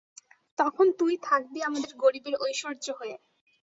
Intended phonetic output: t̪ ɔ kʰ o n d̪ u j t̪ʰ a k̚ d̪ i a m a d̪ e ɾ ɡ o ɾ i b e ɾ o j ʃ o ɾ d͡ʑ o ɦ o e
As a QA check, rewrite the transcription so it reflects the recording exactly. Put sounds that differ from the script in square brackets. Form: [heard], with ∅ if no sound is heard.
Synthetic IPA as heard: t̪ ɔ kʰ o n [t̪] u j t̪ʰ a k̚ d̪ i a m a d̪ e ɾ ɡ o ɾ i b e ɾ o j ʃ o ɾ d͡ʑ o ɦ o e